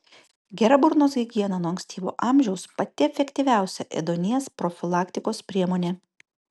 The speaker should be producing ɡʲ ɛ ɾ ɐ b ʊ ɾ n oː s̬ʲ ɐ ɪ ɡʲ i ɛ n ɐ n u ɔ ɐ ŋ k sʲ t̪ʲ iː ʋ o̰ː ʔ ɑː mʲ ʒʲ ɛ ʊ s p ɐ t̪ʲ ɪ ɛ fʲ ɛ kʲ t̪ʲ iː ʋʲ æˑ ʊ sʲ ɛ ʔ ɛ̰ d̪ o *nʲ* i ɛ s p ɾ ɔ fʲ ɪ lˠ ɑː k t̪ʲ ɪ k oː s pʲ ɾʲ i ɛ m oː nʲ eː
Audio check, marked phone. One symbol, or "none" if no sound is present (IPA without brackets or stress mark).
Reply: nʲ